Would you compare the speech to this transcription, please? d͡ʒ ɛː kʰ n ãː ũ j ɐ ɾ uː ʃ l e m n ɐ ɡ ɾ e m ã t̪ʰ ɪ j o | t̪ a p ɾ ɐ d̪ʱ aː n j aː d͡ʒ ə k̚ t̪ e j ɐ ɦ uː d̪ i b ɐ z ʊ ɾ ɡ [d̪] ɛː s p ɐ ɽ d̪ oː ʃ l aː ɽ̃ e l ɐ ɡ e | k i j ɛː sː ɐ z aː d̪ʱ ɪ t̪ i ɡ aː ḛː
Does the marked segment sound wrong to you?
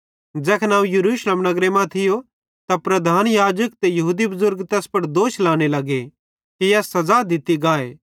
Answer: yes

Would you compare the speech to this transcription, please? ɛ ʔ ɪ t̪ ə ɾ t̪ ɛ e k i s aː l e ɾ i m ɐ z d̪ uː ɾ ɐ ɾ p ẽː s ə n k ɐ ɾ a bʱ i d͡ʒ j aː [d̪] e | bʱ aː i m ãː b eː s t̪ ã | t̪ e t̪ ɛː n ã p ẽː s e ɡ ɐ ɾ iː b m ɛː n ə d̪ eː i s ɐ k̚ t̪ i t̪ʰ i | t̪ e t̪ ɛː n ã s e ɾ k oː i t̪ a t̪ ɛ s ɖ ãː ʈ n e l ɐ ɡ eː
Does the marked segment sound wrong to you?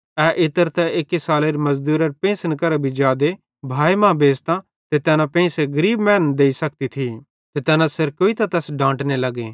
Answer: no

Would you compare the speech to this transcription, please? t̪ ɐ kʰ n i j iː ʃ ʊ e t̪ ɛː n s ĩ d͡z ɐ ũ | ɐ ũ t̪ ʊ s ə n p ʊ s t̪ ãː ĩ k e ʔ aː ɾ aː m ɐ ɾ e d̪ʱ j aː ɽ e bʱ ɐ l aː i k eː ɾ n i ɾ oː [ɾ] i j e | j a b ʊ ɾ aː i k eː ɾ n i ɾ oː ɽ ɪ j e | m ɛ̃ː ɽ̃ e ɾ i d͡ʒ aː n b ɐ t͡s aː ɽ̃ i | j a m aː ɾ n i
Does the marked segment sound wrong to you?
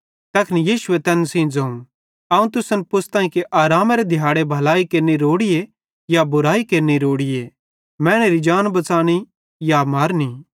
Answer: yes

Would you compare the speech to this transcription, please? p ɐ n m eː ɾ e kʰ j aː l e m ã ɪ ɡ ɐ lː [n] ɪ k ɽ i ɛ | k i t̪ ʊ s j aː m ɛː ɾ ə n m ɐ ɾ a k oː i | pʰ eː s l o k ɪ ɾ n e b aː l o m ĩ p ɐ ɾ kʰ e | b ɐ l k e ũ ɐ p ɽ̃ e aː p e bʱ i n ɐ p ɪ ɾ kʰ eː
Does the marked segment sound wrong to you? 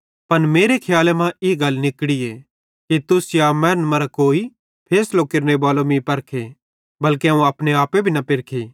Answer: no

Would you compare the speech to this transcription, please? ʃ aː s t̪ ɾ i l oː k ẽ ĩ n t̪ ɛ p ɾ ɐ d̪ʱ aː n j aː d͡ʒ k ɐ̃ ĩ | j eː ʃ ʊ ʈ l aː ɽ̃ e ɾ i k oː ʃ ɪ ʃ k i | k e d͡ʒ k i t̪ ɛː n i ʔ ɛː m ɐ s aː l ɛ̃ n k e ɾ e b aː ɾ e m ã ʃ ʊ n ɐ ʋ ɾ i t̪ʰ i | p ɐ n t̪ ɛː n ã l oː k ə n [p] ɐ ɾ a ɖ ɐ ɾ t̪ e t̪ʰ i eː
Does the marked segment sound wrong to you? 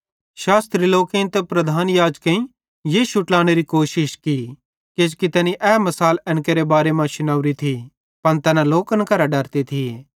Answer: yes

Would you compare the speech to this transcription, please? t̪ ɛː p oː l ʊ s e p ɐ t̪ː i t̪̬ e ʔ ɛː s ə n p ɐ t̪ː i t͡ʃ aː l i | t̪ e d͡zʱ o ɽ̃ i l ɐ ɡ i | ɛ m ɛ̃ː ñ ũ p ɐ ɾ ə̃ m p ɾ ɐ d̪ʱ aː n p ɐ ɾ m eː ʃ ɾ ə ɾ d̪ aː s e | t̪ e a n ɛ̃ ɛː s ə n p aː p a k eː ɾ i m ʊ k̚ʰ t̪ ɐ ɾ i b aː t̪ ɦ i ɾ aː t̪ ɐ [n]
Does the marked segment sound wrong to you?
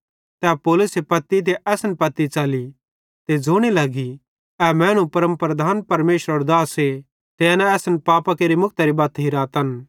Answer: no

